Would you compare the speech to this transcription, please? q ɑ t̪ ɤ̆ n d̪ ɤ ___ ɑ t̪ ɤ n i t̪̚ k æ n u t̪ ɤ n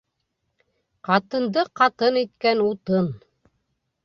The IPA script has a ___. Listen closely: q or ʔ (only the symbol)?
q